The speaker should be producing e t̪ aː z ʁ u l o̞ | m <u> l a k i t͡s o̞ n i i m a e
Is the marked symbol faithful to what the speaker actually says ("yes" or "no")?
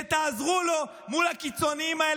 yes